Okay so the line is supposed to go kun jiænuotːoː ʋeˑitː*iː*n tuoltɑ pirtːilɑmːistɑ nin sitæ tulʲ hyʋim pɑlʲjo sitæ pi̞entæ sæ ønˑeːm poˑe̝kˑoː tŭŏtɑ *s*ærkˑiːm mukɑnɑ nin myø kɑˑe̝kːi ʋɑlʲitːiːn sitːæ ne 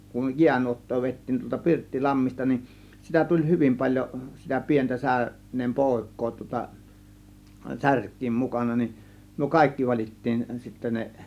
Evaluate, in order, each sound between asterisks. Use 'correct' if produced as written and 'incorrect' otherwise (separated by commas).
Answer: correct, correct